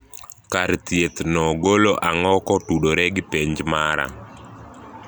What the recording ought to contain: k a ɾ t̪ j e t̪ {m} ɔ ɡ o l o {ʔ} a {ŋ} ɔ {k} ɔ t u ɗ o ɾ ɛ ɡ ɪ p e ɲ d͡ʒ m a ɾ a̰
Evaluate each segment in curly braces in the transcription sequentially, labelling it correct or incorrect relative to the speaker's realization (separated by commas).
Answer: incorrect, correct, correct, correct